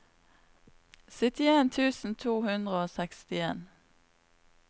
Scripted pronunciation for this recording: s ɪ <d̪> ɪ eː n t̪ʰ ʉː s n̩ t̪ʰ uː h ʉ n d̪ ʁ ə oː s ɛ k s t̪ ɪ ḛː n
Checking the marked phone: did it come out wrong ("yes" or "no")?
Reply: yes